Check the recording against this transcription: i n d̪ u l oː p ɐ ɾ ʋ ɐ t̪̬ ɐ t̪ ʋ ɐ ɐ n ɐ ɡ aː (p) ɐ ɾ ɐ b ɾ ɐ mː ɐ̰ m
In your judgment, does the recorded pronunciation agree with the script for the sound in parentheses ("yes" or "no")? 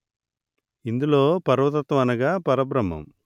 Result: yes